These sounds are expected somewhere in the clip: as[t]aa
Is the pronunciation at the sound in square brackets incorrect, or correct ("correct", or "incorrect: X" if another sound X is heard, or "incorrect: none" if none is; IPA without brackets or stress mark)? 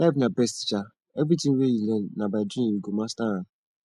correct